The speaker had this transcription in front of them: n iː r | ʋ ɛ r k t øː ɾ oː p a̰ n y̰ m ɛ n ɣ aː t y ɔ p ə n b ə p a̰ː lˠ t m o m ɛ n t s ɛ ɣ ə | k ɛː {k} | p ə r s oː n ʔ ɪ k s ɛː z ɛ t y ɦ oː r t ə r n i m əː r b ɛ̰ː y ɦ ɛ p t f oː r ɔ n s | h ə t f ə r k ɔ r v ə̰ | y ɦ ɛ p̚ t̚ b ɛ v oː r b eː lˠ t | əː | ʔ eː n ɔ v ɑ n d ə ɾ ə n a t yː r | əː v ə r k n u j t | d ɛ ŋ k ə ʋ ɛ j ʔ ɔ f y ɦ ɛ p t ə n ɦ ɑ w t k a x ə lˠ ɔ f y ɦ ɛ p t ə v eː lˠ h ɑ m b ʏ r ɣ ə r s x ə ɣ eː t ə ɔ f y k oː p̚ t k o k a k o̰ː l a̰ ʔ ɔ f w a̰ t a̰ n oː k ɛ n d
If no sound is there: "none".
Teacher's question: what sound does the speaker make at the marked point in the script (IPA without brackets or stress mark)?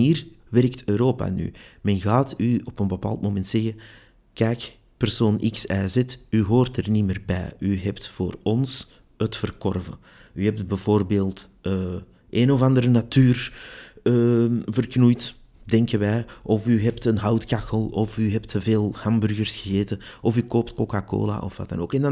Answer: k